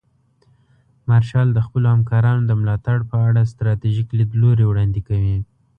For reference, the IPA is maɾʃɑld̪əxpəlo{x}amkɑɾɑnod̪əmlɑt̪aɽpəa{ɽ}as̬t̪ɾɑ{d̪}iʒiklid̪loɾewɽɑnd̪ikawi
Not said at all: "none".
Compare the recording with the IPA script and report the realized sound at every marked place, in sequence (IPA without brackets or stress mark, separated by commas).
h, ɽ, t̪